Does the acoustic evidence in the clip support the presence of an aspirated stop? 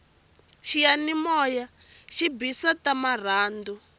no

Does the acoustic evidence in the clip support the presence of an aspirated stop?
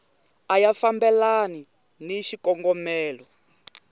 no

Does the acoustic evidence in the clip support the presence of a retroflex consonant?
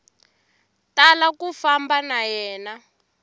no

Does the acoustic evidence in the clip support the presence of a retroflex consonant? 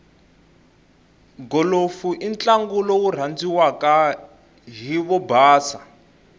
no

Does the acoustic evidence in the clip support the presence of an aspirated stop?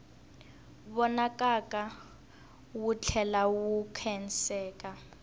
yes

